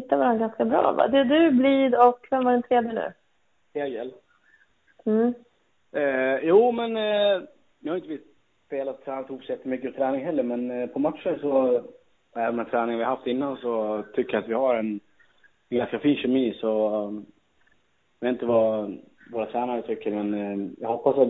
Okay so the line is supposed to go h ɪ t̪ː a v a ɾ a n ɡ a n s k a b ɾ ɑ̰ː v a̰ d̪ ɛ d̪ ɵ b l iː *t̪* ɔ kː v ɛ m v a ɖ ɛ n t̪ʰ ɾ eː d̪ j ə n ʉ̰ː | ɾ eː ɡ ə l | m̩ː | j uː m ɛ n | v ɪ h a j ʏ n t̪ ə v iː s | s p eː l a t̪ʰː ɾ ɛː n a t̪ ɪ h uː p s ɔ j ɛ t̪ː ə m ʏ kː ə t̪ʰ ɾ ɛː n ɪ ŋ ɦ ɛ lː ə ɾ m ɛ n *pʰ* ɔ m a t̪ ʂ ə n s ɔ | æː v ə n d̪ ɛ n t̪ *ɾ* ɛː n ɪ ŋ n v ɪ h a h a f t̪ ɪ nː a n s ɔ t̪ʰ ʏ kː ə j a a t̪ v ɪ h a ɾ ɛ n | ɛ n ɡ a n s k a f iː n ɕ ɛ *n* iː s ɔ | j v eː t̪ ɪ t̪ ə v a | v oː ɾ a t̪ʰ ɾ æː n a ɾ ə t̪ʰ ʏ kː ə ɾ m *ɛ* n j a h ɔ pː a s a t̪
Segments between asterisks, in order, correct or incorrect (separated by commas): incorrect, correct, correct, incorrect, correct